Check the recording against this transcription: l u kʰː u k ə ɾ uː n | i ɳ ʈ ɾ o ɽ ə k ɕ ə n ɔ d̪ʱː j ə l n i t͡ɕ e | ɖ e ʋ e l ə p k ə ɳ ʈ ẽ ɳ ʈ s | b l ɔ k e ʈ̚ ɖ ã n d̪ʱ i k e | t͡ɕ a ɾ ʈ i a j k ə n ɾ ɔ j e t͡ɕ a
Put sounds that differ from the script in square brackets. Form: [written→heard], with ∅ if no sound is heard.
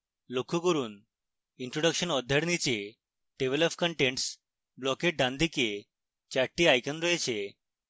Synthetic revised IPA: l [u→o] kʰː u k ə ɾ uː n | i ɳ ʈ ɾ o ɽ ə k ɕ ə n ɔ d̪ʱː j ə [l→ɽ] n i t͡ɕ e | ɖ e ʋ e l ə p k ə ɳ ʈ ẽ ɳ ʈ s | b l ɔ k e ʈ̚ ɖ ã n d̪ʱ i k e | t͡ɕ a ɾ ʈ i a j k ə n ɾ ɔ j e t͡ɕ [a→e]